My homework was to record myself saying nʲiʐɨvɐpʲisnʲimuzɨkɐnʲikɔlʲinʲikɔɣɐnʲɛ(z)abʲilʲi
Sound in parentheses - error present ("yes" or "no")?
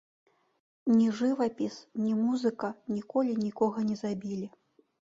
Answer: no